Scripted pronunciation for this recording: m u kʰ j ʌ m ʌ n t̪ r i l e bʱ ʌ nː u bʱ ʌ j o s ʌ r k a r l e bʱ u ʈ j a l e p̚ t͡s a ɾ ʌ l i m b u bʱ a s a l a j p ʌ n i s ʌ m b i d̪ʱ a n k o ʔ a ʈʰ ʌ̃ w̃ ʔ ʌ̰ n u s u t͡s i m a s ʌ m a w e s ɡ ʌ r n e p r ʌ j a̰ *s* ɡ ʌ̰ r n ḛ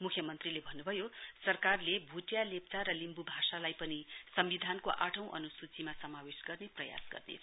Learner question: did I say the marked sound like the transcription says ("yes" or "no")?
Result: yes